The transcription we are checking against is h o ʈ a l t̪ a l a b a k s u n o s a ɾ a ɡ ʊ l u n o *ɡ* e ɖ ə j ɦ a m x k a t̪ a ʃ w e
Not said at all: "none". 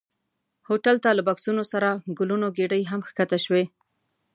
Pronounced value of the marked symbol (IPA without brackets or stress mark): ɡ